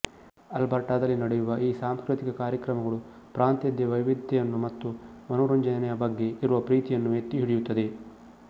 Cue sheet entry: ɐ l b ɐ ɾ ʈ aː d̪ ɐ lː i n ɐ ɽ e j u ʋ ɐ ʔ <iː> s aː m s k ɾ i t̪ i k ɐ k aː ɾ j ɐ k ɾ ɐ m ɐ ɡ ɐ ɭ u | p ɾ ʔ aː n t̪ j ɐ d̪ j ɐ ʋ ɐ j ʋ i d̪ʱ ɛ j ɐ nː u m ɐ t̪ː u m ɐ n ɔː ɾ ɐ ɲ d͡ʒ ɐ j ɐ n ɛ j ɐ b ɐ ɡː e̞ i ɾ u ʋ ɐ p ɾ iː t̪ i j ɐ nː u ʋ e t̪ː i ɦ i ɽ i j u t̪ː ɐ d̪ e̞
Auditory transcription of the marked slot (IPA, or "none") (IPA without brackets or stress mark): iː